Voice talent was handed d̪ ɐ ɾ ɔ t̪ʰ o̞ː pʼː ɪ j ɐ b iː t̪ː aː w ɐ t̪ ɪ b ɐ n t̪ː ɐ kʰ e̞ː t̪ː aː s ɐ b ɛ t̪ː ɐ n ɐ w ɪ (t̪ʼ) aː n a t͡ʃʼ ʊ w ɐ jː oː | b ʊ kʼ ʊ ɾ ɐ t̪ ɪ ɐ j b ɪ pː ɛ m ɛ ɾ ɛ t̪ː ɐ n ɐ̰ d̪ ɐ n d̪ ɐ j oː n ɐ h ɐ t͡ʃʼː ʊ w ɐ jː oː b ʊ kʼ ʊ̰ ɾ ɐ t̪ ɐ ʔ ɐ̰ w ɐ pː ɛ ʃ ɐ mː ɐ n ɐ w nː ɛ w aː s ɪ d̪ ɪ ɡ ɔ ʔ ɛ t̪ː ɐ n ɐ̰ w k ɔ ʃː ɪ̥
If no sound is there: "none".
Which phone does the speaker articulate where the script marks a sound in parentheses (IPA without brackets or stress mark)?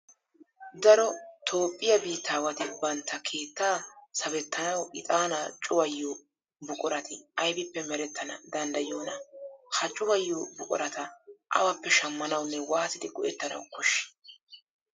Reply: t̪ʼ